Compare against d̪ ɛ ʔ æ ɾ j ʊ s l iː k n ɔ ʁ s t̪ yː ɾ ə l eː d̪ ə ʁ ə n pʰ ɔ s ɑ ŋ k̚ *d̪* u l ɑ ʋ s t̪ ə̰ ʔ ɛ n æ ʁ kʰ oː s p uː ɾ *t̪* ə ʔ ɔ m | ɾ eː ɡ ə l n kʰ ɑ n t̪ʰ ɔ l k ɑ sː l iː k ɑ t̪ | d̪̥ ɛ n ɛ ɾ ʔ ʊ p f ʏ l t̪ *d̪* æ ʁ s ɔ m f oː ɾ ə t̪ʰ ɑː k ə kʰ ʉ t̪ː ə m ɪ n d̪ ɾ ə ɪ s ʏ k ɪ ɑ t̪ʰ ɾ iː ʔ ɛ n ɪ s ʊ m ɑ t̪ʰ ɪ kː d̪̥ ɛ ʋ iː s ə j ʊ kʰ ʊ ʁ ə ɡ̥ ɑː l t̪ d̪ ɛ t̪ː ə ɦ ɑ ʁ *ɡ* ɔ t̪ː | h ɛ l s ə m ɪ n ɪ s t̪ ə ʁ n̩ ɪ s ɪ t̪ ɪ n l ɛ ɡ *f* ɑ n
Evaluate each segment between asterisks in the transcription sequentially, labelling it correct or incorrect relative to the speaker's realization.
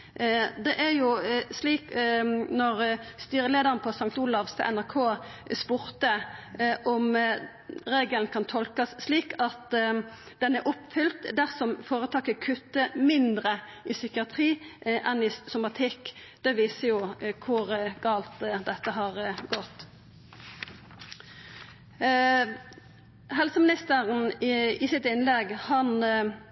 incorrect: t̪, correct, correct, correct, incorrect: h

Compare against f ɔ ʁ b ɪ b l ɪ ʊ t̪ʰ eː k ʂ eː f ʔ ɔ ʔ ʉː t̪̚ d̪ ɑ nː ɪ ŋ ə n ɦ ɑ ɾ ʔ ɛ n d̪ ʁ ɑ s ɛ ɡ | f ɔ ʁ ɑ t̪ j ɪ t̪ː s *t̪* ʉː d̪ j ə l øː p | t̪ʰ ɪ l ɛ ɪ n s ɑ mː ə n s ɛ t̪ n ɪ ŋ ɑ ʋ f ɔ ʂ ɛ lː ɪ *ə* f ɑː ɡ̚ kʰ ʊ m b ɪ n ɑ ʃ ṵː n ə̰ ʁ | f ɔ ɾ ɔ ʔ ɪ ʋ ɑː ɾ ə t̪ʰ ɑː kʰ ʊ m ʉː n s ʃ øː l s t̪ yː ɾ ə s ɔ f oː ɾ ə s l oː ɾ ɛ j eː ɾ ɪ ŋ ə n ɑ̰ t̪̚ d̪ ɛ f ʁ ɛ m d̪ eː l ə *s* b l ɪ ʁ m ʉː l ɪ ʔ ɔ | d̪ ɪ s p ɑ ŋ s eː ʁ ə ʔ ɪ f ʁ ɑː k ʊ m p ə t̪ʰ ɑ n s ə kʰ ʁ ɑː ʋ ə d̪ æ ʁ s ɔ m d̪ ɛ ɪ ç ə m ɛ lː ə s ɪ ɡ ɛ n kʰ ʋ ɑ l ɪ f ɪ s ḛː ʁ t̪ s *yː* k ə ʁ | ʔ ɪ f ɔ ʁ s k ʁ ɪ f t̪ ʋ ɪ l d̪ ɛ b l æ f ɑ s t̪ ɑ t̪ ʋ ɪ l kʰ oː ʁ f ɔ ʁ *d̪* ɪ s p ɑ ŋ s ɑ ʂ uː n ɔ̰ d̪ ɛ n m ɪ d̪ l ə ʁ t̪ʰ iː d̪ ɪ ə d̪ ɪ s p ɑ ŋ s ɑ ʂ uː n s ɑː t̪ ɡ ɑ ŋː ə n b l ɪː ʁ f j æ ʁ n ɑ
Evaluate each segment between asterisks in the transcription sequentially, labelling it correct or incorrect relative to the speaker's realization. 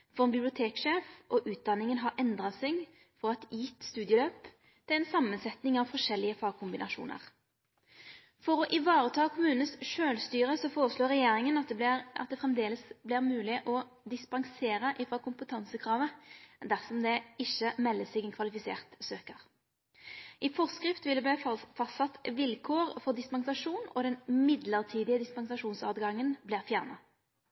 correct, correct, correct, incorrect: øː, correct

